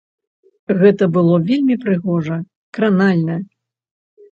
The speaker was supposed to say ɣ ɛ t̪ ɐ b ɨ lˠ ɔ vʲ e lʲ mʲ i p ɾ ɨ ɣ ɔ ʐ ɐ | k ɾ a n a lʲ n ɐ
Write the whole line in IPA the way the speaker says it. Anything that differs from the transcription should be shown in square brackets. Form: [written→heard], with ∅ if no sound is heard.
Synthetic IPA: ɣ ɛ t̪ ɐ b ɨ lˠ ɔ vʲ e lʲ mʲ i p ɾ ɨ ɣ ɔ ʐ ɐ | k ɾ a n a lʲ n ɐ